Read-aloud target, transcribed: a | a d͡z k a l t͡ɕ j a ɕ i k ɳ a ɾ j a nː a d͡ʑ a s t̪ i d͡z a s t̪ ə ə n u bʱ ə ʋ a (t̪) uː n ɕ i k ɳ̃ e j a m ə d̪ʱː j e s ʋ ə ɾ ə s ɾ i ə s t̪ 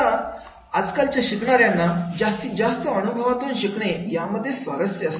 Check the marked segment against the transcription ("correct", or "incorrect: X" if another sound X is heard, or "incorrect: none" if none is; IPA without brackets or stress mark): correct